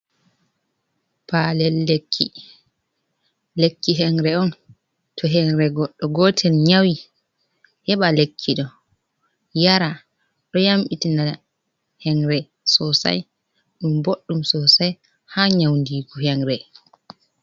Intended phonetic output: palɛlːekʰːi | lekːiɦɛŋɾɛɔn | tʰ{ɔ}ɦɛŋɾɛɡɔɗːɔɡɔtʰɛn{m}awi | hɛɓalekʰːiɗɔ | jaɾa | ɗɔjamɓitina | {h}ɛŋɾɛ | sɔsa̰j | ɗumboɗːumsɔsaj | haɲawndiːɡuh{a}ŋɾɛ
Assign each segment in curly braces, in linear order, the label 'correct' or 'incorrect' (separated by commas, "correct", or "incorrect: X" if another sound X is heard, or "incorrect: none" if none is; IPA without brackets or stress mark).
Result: correct, incorrect: ɲ, correct, incorrect: ɛ